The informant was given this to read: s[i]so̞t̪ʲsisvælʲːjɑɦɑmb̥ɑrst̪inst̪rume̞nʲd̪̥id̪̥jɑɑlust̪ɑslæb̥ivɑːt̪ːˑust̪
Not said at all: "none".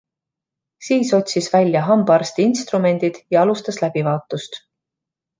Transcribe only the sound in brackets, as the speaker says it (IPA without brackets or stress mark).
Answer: iː